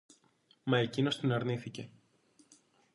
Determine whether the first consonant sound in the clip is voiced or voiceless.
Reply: voiced